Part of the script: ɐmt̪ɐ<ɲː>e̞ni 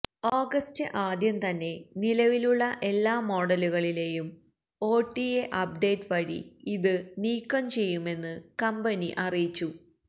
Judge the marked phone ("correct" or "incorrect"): incorrect